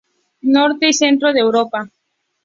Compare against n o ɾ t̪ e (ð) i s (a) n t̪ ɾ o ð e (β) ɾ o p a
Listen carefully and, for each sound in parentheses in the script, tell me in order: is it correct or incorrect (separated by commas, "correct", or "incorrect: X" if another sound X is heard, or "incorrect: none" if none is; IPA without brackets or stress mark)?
incorrect: none, incorrect: e, incorrect: w